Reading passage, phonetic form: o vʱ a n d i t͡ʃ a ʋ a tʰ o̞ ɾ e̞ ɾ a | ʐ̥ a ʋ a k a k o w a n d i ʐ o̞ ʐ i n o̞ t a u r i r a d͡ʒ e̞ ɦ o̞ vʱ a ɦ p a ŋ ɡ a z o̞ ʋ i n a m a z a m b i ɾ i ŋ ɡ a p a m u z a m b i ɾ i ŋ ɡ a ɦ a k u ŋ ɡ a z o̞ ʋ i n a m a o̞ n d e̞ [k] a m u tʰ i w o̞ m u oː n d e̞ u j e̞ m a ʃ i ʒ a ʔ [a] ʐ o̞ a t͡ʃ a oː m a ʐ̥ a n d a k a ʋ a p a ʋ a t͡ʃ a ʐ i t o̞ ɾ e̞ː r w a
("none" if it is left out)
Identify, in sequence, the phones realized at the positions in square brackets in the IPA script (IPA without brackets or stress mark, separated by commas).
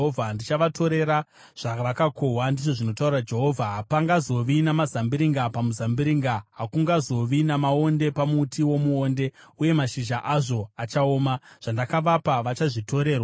p, a